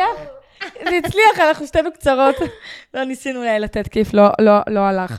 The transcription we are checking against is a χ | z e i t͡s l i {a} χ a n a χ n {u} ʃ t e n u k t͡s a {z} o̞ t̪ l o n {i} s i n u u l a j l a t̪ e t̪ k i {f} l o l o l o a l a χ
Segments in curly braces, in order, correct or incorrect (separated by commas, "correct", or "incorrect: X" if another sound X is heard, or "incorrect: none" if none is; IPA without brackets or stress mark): correct, correct, incorrect: ʁ, correct, correct